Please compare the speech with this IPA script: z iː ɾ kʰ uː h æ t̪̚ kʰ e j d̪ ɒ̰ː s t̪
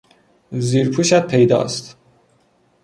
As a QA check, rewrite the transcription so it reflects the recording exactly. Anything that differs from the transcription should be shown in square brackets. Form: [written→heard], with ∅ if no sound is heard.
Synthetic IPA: z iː ɾ [kʰ→pʰ] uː [h→ʃ] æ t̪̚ [kʰ→pʰ] e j d̪ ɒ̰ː s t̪